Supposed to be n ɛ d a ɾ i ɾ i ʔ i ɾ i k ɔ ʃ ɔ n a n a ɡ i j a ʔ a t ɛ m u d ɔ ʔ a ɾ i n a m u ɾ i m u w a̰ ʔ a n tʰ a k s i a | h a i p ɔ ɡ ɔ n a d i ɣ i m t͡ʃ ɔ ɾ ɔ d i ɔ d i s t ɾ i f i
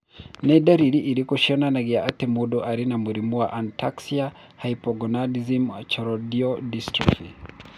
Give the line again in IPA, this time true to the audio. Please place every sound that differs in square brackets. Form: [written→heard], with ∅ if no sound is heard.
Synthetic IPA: n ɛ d a ɾ i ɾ i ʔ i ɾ i k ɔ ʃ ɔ n a n a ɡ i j a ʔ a t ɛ m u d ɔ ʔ a ɾ i n a m u ɾ i m u w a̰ ʔ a n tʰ a k s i a | h a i p ɔ ɡ ɔ n a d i [ɣ→z] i m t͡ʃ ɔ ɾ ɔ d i ɔ d i s t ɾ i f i